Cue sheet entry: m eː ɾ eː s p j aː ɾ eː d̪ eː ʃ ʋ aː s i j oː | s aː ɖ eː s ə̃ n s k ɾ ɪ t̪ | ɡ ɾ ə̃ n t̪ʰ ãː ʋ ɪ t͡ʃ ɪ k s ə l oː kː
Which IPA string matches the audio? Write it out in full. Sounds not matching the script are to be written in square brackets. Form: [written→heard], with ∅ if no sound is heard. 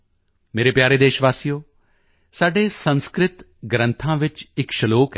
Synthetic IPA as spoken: m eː ɾ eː [s→∅] p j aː ɾ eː d̪ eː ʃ ʋ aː s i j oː | s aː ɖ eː s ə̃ n s k ɾ ɪ t̪ | ɡ ɾ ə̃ n t̪ʰ ãː ʋ ɪ t͡ʃ ɪ k [s→ʃ] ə l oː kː